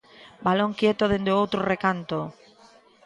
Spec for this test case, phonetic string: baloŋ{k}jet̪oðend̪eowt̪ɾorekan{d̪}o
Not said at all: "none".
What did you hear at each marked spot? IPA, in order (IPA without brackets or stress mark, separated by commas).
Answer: k, t̪